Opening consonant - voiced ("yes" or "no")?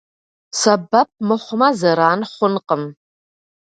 no